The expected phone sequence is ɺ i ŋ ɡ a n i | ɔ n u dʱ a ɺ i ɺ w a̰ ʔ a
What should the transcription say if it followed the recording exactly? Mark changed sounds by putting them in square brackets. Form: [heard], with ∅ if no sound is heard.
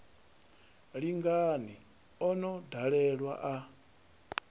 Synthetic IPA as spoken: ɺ i ŋ ɡ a n i | ɔ n [ɔ] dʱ a ɺ [ɛ] ɺ w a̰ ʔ a

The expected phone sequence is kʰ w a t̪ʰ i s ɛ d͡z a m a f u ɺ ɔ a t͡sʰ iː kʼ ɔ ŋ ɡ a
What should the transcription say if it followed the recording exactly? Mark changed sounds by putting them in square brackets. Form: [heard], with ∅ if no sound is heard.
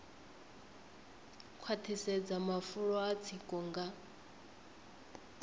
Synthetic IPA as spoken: kʰ w a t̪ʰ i s ɛ d͡z a m a f u ɺ ɔ a t͡sʰ [i] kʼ ɔ ŋ ɡ a

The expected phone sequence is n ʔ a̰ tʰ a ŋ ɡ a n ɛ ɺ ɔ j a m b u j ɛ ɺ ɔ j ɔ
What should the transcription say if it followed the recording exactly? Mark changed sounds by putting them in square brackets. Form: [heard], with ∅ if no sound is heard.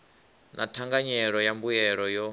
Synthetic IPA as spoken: n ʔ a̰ tʰ a ŋ ɡ a [ɲ] ɛ ɺ ɔ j a m b u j ɛ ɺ ɔ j ɔ

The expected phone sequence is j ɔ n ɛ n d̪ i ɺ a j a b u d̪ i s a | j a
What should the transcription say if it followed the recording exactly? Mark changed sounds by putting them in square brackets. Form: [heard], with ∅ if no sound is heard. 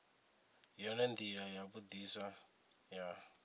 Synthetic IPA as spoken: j ɔ n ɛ n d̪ i ɺ a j a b u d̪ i s a | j a

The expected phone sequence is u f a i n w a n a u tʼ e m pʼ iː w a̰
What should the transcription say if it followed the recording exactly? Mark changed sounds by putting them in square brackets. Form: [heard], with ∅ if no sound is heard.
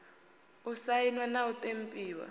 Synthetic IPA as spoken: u [s] a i n w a n a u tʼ e m pʼ iː w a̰

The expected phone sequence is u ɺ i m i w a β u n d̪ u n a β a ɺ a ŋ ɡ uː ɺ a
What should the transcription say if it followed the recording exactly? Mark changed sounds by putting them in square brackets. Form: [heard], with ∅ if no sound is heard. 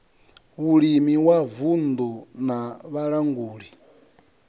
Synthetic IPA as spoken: u ɺ i m i w a [v] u n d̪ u n a β a ɺ a ŋ ɡ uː ɺ [i]

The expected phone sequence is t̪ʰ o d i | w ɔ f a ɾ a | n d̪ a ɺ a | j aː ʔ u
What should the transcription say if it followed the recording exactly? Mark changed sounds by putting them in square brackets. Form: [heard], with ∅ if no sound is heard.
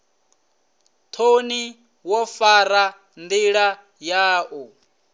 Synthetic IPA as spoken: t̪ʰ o [n] i | w ɔ f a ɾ a | n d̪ [i] ɺ a | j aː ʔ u

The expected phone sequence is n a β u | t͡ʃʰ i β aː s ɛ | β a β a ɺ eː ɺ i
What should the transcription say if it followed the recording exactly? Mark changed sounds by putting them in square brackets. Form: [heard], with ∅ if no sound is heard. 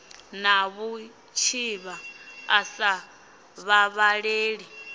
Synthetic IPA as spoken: n a β u | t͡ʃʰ i β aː s [a] | β a β a ɺ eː ɺ i

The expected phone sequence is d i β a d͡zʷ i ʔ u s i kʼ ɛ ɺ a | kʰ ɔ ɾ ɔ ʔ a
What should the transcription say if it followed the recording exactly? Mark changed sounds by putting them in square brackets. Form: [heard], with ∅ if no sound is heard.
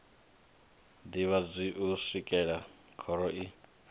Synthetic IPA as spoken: d i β a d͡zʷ i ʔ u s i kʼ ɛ ɺ a | kʰ ɔ ɾ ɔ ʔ [i]

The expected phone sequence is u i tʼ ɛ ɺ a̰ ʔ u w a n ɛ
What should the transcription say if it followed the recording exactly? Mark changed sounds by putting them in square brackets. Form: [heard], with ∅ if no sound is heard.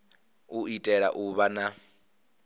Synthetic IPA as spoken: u i tʼ ɛ ɺ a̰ ʔ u [β] a n [a]

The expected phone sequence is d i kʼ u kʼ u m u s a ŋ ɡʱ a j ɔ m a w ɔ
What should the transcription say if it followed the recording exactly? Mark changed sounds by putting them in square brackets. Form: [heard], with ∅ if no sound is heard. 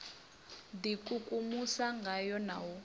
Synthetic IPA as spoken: d i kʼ u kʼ u m u s a ŋ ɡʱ a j ɔ [n] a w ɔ

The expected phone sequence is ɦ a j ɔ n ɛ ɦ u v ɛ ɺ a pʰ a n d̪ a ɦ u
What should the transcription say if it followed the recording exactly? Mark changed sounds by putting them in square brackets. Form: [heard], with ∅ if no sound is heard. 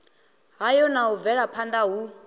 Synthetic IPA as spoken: ɦ a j ɔ n [a] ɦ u v ɛ ɺ a pʰ a n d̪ a ɦ u

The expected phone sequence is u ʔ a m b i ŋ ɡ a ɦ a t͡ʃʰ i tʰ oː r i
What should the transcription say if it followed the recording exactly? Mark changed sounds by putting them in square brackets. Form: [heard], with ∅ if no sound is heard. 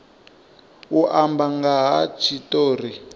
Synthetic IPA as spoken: u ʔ a m b [a] ŋ ɡ a ɦ a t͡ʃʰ i [t] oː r i

